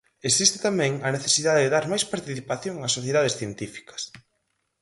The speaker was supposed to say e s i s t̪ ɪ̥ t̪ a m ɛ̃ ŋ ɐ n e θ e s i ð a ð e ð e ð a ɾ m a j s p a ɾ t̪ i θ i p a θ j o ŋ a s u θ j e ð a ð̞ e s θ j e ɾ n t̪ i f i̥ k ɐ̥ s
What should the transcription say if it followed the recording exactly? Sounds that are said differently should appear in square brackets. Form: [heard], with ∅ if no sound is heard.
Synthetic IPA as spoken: e s i s t̪ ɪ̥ t̪ a m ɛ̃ ŋ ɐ n e θ e s i ð a ð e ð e ð a ɾ m a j s p a ɾ t̪ i θ i p a θ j o ŋ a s [o] θ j e ð a ð̞ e s θ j e [∅] n t̪ i f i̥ k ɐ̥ s